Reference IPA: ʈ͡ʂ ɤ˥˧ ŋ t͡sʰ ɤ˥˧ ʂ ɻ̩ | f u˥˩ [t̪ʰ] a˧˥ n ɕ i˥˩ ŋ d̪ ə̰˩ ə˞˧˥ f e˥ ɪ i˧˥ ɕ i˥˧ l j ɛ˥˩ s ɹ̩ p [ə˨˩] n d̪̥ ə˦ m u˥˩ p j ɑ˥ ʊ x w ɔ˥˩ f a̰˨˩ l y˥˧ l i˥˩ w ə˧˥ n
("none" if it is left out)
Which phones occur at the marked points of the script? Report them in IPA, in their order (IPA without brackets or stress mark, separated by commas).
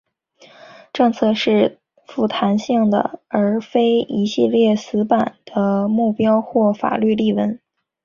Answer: t̪ʰ, a˨˩